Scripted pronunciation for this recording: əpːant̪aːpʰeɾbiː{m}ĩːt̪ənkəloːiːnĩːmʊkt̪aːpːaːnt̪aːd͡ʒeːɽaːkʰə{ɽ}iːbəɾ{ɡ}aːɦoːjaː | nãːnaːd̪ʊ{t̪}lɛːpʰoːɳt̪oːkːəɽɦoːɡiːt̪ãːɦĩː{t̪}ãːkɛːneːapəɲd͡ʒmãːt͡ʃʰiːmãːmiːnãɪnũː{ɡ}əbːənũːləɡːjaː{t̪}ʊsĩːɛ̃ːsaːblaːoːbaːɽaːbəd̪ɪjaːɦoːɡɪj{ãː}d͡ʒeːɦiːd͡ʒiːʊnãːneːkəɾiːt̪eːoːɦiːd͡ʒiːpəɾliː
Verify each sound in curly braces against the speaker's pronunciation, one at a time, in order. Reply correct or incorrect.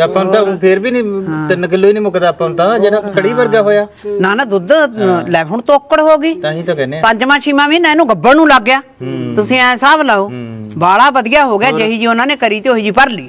incorrect, correct, correct, incorrect, correct, correct, correct, incorrect

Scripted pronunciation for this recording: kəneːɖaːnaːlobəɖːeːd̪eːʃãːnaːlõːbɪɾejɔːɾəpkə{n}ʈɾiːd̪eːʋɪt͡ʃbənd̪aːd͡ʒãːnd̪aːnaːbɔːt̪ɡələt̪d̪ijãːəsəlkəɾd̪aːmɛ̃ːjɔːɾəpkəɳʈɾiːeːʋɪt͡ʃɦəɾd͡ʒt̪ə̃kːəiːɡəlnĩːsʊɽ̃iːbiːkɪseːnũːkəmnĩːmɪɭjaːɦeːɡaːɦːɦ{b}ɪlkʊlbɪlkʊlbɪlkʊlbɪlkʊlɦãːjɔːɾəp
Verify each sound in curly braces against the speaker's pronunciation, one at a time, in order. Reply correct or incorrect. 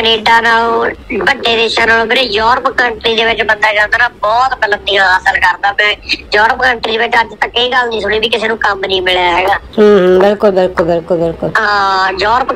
incorrect, correct

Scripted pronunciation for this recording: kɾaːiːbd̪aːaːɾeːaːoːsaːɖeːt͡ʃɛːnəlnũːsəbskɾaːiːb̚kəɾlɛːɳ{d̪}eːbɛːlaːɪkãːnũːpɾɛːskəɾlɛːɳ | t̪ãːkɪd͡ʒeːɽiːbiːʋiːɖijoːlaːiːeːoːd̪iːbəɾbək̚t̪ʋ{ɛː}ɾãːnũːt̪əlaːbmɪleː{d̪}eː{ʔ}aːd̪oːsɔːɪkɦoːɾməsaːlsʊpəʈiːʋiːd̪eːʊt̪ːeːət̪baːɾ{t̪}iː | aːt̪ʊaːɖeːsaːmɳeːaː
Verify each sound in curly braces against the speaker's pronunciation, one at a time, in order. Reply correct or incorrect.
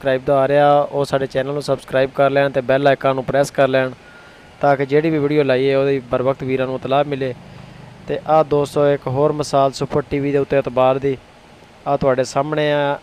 incorrect, incorrect, incorrect, correct, incorrect

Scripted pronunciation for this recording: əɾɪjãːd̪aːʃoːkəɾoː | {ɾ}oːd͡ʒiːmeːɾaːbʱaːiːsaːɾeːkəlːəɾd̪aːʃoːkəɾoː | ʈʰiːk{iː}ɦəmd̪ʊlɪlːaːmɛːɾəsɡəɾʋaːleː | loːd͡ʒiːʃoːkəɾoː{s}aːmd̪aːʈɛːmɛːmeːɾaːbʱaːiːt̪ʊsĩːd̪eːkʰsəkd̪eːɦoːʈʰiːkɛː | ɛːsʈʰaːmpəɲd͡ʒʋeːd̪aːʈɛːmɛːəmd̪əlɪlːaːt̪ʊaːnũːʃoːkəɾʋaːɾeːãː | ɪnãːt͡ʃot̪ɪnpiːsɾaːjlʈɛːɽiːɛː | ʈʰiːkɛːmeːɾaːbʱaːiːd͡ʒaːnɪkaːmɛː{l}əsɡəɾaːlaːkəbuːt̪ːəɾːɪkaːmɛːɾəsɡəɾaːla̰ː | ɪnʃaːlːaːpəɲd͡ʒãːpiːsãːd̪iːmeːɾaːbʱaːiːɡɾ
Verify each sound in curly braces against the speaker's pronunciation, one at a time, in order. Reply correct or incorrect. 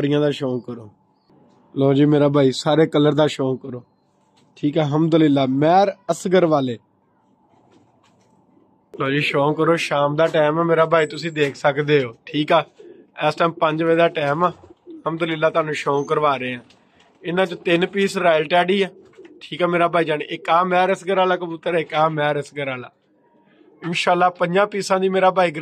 incorrect, incorrect, incorrect, incorrect

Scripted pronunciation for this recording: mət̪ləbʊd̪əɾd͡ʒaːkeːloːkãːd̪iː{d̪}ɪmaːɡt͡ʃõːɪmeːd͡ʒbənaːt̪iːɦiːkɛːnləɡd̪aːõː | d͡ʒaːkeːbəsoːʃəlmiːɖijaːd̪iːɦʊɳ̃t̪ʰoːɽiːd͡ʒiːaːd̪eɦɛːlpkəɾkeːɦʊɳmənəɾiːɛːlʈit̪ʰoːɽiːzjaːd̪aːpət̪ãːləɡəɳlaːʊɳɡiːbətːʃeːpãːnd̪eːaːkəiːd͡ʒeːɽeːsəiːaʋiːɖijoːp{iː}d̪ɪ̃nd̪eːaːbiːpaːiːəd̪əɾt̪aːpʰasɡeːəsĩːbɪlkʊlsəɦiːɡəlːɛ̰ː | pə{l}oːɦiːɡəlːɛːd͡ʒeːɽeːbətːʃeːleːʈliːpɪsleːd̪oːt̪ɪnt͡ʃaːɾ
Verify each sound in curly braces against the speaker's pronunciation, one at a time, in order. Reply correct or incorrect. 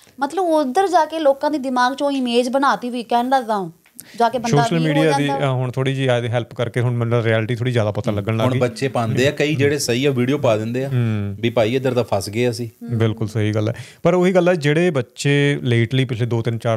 correct, incorrect, incorrect

